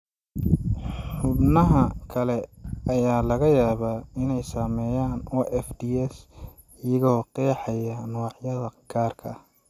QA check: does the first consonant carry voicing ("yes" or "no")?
no